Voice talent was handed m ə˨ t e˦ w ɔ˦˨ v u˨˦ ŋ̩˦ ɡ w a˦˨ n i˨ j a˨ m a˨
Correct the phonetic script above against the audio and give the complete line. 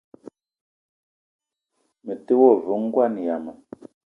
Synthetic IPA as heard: m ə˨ t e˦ w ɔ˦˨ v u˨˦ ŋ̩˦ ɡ w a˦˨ n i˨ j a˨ m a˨

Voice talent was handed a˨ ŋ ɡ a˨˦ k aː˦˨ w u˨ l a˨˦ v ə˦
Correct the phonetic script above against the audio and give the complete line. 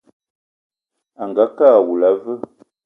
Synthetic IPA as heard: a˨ ŋ ɡ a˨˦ k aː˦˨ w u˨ l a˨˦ v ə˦

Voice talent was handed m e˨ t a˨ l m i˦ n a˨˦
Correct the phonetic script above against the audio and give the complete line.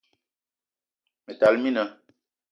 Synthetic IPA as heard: m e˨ t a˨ l m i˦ n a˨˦

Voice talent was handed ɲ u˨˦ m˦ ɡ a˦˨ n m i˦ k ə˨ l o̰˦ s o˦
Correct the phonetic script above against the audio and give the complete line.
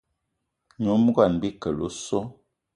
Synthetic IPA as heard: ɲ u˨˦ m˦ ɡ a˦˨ n b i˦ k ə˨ l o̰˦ s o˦

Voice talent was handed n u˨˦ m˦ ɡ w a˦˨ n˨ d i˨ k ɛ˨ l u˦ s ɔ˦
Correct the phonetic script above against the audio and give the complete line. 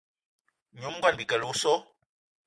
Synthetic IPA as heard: ɲ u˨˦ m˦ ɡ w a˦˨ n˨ b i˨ k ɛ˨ l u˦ s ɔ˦

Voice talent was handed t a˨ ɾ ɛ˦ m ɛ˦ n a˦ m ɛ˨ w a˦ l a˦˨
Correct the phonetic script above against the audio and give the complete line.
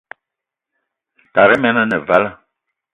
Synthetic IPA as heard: t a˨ ɾ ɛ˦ m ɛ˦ n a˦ n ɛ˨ v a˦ l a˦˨

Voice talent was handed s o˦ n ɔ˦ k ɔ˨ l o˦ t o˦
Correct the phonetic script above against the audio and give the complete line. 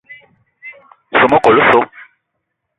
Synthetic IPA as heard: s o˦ m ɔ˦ k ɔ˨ l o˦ s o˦

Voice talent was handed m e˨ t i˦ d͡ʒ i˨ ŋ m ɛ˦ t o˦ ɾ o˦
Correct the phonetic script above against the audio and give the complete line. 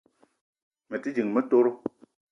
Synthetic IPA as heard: m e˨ t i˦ d͡ʒ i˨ ŋ m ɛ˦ t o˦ ɾ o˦

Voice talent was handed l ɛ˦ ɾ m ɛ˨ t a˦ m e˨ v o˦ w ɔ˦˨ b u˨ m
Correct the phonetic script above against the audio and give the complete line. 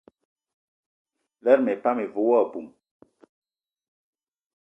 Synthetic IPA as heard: l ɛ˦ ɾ m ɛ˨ p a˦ m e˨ v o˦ w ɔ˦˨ b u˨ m

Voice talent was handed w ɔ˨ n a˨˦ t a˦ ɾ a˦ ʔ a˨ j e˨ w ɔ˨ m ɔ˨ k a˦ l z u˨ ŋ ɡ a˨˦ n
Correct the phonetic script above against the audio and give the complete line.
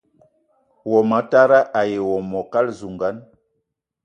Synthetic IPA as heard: w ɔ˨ m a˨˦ t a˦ ɾ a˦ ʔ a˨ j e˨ w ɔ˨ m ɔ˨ k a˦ l z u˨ ŋ ɡ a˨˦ n

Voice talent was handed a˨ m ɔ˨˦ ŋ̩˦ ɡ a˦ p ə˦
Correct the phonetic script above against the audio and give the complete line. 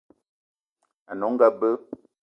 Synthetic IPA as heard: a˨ n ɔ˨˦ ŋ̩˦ ɡ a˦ b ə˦

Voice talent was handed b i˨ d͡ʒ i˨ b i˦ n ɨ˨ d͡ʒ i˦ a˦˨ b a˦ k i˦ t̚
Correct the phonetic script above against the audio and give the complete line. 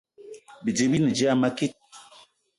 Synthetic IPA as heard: b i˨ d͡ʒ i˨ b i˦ n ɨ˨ d͡ʒ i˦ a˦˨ m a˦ k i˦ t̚

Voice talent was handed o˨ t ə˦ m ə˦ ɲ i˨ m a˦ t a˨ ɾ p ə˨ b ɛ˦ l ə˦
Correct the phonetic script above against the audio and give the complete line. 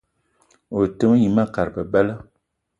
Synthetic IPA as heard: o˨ t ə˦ m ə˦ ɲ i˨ m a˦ k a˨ ɾ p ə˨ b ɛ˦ l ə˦

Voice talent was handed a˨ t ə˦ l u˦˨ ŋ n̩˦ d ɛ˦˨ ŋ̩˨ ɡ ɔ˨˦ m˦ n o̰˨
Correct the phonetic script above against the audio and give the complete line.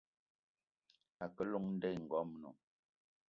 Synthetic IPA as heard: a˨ k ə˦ l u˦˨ ŋ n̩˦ d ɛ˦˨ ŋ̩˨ ɡ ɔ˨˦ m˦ n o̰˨

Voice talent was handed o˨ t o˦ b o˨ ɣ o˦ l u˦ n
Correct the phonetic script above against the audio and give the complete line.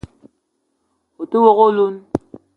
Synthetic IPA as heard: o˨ t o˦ w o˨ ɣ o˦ l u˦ n

